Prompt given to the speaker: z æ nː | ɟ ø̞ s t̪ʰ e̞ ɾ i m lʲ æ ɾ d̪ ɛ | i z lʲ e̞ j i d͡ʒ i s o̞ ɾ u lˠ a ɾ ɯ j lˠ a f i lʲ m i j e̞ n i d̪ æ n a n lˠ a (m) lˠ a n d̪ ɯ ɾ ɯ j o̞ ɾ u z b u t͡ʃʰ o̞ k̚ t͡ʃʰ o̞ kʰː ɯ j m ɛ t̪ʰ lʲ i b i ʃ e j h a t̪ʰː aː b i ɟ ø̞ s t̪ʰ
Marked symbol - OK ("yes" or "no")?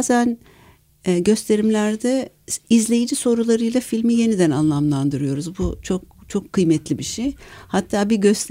yes